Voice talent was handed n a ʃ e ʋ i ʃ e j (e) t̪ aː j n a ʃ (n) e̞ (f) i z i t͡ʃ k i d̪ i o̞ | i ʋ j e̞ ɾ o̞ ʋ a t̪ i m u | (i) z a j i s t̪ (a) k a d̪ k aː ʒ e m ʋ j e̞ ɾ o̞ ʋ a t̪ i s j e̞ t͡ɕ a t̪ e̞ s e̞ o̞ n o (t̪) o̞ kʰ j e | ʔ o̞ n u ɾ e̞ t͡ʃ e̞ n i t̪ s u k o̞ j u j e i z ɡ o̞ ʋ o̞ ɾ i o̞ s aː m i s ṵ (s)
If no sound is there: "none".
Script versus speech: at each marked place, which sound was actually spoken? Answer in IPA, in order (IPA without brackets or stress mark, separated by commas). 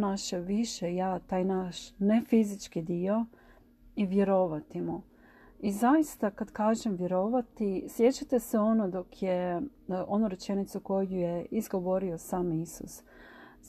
a, n, f, i, a, d̪, s